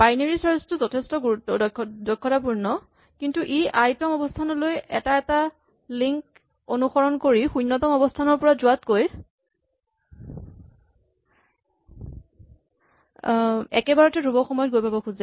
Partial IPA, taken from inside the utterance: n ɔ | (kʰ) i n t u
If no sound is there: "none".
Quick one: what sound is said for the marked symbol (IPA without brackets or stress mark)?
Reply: k